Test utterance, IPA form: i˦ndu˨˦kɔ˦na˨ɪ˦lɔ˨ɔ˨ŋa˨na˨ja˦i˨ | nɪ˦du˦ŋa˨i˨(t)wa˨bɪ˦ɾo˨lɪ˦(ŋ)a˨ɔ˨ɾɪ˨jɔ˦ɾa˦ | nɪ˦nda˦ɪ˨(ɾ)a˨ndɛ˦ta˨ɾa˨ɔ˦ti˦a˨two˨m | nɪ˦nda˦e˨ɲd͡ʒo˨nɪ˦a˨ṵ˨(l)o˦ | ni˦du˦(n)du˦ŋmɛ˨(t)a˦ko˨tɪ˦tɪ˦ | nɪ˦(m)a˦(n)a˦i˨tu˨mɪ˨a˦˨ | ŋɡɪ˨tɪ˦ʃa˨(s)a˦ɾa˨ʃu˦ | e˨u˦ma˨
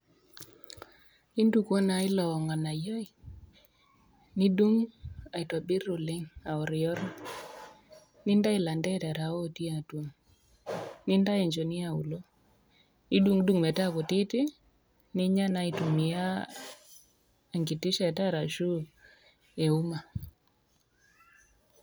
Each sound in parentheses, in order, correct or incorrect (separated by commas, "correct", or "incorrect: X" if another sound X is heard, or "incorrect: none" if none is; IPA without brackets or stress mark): correct, correct, incorrect: l, correct, incorrect: ŋ, correct, incorrect: ɲ, correct, incorrect: t